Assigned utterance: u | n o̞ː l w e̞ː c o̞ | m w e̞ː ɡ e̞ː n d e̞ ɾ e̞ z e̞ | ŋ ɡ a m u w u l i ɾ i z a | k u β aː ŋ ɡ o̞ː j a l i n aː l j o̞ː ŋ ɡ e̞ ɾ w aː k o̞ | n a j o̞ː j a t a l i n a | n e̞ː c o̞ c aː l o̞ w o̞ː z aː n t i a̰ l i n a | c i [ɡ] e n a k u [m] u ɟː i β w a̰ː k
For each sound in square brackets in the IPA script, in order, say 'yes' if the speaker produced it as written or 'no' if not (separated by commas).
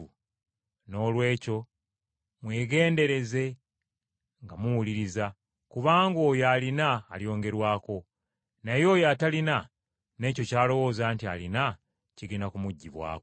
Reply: yes, yes